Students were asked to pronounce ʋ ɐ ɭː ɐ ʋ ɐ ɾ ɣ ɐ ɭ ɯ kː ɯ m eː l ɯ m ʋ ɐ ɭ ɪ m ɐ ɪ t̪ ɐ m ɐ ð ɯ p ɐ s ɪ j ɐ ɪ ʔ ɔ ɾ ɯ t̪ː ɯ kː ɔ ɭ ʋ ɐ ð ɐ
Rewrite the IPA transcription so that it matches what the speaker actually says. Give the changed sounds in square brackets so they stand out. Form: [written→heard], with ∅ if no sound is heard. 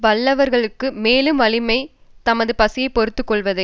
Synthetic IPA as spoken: ʋ ɐ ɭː ɐ ʋ ɐ ɾ ɣ ɐ ɭ ɯ kː ɯ m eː l ɯ m ʋ ɐ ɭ ɪ m ɐ ɪ t̪ ɐ m ɐ ð ɯ p ɐ s ɪ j ɐ ɪ [ʔ→p] ɔ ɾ ɯ t̪ː ɯ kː ɔ ɭ ʋ ɐ ð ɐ